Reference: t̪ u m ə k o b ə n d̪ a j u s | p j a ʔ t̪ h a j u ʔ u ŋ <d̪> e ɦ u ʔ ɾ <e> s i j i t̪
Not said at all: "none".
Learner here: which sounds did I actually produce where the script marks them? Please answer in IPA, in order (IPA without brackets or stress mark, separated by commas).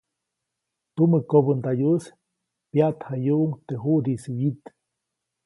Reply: t̪, i